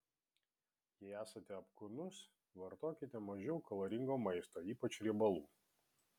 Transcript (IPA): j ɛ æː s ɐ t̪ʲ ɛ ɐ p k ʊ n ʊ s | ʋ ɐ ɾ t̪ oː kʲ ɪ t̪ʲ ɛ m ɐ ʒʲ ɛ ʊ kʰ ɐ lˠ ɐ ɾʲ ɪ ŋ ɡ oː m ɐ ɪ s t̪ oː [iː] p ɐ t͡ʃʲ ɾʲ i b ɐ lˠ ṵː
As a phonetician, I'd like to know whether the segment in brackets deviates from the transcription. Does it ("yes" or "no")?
no